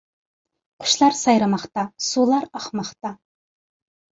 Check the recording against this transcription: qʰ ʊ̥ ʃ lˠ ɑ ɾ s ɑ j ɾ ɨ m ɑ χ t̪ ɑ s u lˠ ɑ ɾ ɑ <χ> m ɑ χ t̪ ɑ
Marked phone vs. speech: correct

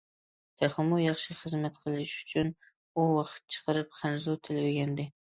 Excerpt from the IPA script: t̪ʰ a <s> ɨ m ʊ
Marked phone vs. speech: incorrect: χ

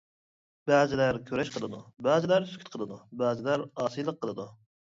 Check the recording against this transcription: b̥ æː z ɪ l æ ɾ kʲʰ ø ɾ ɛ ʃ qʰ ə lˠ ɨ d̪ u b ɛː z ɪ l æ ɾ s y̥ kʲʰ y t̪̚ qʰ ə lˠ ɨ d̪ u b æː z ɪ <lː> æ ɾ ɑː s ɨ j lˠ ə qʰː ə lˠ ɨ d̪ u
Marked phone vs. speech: incorrect: l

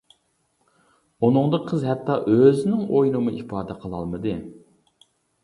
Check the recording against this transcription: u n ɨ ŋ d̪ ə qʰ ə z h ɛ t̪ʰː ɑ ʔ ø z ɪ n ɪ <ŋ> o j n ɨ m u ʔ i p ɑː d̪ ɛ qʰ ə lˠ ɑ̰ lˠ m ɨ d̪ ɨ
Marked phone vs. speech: correct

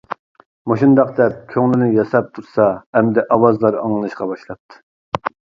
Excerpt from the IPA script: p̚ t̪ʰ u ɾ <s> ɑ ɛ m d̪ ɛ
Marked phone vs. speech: correct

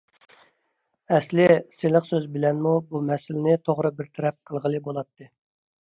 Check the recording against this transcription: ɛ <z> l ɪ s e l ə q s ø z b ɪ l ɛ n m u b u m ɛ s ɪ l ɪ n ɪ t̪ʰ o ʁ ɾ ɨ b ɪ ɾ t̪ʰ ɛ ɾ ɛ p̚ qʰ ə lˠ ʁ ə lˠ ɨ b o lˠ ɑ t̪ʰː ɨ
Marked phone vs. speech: incorrect: s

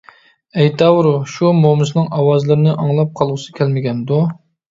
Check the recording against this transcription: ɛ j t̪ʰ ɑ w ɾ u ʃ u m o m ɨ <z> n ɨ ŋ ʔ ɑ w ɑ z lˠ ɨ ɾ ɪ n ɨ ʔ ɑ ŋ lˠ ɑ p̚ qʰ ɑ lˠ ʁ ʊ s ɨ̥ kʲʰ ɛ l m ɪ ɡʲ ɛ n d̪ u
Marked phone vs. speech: incorrect: s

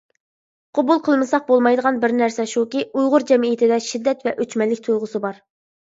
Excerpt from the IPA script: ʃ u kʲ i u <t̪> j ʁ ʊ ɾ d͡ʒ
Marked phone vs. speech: incorrect: none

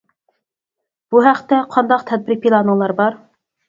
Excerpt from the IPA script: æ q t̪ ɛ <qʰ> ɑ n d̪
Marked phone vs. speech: correct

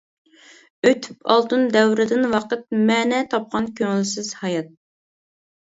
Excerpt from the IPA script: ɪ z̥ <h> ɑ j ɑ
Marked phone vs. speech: correct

